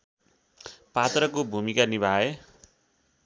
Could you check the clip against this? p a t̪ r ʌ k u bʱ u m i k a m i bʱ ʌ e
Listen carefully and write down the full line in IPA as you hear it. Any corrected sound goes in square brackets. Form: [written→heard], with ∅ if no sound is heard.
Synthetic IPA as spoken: p a t̪ r ʌ k [u→o] bʱ u m i k a [m→n] i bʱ [ʌ→a] e